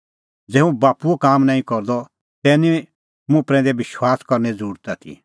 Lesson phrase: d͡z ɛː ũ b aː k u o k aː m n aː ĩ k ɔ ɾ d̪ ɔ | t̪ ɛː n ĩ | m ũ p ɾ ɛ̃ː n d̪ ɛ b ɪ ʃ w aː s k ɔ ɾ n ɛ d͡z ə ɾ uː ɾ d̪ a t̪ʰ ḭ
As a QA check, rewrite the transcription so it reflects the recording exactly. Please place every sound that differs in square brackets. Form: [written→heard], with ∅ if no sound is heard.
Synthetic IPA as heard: d͡z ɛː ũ b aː [k→p] u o k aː m n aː ĩ k ɔ ɾ d̪ ɔ | t̪ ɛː n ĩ | m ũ p ɾ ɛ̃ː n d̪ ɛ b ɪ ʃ w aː s k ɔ ɾ n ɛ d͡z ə ɾ uː ɾ [d̪→t̪] a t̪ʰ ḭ